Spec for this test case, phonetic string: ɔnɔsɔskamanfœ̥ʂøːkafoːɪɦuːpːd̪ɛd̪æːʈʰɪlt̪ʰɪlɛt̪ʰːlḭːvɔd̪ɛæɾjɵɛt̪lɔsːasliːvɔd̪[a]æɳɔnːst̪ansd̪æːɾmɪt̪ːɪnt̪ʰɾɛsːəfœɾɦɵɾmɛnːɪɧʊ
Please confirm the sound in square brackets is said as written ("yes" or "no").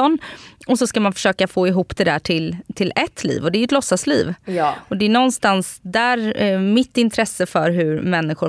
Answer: no